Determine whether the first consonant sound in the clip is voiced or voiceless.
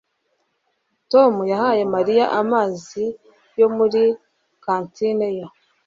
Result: voiceless